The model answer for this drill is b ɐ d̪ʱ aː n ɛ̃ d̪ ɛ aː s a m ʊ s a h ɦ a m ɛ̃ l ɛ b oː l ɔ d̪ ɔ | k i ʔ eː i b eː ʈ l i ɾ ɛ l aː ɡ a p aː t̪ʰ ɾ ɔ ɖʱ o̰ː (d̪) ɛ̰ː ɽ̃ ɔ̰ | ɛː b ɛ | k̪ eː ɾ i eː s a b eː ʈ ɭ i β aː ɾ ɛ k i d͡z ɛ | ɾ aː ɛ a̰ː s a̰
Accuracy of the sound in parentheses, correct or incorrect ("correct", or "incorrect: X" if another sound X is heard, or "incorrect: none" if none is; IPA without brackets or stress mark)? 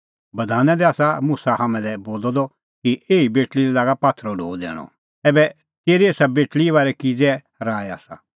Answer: correct